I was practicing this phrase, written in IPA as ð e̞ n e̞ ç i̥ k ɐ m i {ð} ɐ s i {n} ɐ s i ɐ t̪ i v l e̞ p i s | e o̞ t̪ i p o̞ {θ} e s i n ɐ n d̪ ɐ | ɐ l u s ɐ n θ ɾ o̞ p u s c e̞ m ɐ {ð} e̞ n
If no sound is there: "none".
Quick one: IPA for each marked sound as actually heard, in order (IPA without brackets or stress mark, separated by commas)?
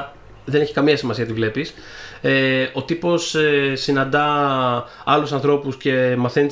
none, m, s, θ